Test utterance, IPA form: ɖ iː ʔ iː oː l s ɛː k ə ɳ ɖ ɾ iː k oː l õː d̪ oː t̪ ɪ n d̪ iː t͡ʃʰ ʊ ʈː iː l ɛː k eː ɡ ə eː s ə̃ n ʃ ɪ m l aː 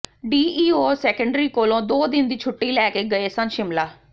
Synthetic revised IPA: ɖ iː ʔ iː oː s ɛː k ə ɳ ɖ ɾ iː k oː l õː d̪ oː d̪ ɪ n d̪ iː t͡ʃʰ ʊ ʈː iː l ɛː k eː ɡ ə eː s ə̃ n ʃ ɪ m l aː